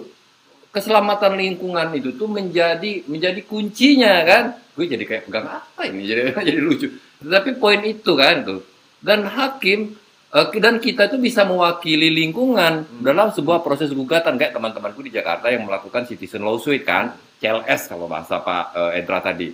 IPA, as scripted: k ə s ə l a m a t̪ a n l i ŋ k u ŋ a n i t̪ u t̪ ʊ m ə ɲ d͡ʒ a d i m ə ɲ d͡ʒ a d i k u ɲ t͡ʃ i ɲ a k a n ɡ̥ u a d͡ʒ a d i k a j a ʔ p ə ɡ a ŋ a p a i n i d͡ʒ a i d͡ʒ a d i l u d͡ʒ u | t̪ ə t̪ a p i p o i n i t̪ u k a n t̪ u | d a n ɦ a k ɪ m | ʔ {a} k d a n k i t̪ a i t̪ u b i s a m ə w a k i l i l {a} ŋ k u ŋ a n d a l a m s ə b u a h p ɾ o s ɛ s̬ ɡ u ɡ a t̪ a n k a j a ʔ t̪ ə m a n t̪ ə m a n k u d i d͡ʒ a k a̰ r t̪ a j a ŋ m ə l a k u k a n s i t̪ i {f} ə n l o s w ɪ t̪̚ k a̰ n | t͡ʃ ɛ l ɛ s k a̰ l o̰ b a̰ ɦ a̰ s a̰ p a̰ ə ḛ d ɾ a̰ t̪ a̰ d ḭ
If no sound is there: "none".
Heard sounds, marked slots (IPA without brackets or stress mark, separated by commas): ə, i, s